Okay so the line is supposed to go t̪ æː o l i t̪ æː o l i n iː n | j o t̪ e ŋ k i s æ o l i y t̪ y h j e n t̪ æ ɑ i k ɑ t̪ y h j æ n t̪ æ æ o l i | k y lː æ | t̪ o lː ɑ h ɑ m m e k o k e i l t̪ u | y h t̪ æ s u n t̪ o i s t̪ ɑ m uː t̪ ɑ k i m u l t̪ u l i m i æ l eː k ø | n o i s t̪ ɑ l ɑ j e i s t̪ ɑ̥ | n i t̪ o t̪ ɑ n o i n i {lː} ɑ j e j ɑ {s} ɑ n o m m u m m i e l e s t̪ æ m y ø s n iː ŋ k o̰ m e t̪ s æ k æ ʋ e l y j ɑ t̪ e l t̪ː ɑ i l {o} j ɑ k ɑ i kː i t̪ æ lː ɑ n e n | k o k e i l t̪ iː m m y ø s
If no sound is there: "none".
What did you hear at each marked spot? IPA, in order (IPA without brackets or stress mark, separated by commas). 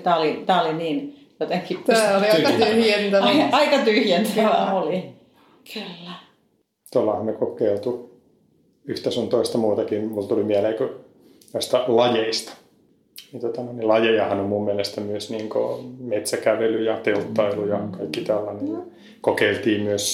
l, h, u